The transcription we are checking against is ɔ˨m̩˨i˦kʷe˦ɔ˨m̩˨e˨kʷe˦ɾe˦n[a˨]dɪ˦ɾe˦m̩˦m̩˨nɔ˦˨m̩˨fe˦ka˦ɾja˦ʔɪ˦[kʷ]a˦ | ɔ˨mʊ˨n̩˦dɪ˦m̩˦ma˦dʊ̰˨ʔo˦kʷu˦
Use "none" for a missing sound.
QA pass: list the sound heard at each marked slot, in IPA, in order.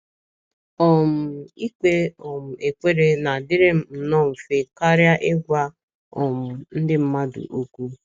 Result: a˨, ɡʷ

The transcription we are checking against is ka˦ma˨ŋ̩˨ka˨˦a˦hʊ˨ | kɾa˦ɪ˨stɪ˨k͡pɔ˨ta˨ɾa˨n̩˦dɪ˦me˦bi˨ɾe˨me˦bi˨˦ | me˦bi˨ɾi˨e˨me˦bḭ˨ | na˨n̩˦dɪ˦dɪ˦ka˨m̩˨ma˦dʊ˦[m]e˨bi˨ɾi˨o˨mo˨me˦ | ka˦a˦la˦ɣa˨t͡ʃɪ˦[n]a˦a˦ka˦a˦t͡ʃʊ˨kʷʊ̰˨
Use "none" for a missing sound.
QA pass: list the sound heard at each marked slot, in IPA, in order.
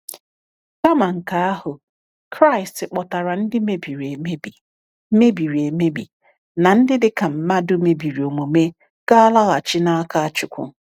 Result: m, n

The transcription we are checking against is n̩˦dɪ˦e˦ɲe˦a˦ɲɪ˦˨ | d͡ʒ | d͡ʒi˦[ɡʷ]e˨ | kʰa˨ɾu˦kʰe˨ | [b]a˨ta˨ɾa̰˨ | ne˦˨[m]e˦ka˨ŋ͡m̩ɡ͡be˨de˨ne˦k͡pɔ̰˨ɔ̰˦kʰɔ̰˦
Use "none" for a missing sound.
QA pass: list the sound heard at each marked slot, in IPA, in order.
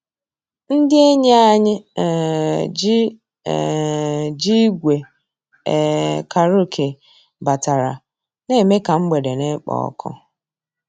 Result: ɡʷ, b, m

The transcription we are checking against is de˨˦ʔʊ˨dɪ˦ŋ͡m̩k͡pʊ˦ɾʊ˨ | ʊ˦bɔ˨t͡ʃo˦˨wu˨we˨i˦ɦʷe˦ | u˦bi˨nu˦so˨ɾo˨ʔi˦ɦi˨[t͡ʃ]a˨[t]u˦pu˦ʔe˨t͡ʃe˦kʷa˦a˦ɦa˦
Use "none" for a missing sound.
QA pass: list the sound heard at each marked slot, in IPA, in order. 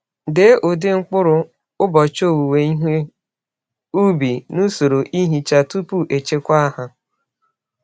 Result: t͡ʃ, t

